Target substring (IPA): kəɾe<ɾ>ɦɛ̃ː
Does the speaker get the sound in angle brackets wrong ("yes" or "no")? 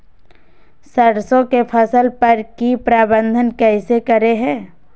yes